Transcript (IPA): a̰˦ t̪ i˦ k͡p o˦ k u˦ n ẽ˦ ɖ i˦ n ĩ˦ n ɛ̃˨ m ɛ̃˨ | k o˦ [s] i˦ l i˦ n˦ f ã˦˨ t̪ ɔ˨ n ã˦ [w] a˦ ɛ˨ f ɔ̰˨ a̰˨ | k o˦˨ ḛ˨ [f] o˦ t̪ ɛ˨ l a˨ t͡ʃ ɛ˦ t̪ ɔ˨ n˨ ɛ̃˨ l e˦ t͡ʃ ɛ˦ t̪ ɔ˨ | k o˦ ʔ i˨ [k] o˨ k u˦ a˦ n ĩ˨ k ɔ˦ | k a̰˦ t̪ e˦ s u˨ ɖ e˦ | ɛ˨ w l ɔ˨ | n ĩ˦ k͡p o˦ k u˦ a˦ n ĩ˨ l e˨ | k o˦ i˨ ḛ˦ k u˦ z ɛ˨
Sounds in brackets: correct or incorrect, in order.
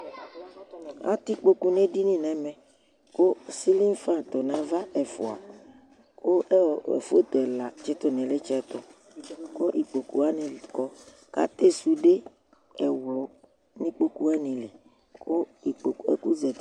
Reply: correct, incorrect, correct, incorrect

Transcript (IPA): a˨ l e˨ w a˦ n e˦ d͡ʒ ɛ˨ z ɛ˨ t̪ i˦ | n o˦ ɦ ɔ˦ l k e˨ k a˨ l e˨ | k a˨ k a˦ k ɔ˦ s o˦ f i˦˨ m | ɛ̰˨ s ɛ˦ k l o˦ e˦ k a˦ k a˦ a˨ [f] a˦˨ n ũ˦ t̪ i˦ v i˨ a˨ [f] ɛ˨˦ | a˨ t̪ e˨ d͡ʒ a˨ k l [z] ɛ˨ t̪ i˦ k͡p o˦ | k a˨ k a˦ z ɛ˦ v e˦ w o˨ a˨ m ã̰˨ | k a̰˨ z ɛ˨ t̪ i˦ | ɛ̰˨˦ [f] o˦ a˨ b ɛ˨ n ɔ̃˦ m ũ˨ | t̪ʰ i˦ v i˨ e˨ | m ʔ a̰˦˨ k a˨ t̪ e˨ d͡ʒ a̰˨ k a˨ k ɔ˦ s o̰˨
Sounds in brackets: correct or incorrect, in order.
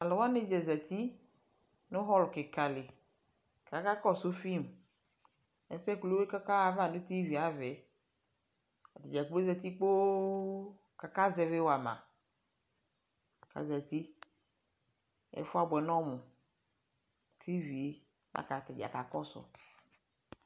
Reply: incorrect, incorrect, correct, correct

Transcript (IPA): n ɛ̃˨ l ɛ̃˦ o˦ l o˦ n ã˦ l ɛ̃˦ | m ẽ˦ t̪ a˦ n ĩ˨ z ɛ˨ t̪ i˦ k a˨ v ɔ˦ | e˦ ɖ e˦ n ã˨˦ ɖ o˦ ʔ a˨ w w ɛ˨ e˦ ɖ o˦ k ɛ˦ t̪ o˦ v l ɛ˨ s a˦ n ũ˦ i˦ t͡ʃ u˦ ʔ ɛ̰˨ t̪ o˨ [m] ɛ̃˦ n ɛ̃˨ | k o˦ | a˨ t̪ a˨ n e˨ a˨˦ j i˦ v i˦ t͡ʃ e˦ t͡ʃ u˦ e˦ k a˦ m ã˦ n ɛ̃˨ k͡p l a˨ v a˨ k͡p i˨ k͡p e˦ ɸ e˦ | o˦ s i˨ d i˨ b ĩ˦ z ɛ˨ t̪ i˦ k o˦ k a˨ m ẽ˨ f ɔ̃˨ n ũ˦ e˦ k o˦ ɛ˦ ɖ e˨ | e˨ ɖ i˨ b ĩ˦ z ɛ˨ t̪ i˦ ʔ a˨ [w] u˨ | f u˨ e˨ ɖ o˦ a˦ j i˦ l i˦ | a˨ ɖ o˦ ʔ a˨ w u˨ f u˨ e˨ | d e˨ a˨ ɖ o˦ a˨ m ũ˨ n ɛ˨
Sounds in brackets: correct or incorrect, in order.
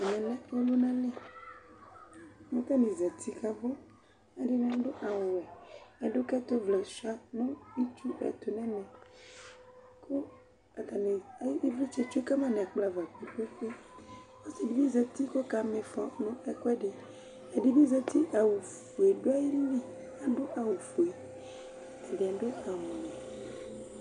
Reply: incorrect, correct

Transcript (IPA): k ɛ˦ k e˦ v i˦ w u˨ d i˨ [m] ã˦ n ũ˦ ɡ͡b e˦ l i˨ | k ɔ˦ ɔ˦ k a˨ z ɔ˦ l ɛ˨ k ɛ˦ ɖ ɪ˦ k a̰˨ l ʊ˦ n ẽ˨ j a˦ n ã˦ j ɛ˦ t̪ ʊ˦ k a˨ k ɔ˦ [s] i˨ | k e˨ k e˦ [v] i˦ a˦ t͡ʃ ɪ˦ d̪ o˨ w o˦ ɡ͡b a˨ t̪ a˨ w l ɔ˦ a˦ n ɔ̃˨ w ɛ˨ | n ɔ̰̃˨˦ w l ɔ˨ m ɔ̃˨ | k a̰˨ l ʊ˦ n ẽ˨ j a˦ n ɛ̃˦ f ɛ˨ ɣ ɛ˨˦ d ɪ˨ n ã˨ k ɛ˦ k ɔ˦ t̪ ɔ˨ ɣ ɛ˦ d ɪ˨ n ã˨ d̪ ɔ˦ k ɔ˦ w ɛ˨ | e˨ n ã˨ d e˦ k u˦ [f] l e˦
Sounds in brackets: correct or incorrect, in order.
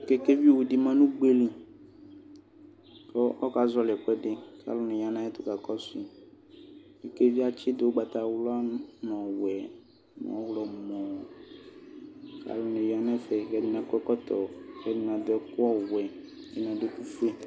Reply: correct, correct, correct, correct

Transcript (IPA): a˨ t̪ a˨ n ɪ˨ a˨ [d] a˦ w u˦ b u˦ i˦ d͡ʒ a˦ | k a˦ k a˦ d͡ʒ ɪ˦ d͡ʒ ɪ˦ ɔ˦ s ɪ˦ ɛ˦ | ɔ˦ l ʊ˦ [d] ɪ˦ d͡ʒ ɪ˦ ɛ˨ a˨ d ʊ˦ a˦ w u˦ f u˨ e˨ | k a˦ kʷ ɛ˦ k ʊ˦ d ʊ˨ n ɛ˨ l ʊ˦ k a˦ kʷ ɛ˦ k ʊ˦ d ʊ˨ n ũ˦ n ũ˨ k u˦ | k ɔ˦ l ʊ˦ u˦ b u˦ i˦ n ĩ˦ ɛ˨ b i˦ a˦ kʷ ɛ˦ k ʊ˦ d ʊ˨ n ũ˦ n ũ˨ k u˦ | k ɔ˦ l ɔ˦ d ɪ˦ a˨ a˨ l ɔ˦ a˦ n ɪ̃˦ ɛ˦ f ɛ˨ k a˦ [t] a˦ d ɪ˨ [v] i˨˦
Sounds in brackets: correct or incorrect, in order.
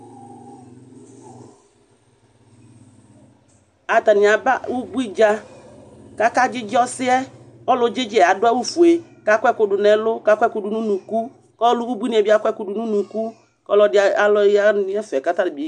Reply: incorrect, incorrect, correct, incorrect

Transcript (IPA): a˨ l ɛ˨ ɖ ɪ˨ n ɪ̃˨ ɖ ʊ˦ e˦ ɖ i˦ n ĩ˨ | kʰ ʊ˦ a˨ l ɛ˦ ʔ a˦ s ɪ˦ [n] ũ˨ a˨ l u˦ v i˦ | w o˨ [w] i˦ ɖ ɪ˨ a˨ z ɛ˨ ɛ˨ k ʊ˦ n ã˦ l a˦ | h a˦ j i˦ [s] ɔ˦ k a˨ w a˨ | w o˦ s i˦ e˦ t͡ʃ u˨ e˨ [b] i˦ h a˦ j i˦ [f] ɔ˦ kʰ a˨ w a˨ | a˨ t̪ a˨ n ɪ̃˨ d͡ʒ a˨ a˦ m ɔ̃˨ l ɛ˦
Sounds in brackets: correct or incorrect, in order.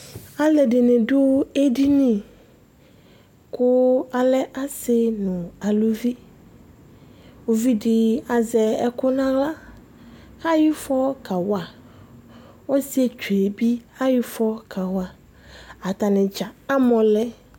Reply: correct, incorrect, incorrect, correct, correct

